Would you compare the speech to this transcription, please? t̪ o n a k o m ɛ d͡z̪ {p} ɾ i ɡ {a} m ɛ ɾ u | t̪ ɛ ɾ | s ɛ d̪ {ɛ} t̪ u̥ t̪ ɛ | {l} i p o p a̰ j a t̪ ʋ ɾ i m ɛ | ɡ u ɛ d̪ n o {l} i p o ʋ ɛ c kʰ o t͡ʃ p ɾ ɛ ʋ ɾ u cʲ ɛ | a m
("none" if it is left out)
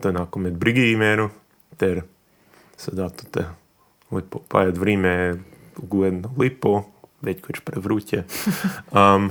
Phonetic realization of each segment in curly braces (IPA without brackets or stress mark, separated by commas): b, i, a, l, l